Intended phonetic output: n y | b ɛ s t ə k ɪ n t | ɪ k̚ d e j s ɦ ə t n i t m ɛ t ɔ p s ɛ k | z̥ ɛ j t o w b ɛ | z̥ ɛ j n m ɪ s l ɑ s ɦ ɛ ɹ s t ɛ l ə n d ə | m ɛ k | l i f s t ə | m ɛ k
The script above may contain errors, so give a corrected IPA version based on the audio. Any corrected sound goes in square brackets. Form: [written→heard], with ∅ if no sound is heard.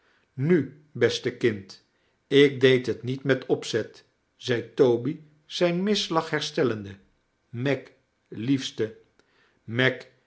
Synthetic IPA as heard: n y | b ɛ s t ə k ɪ n t | ɪ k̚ d e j [s→t] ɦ ə t n i t m ɛ t ɔ p s ɛ [k→t] | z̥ ɛ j t o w b [ɛ→i] | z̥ ɛ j n m ɪ s l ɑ [s→χ] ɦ ɛ ɹ s t ɛ l ə n d ə | m ɛ k | l i f s t ə | m ɛ k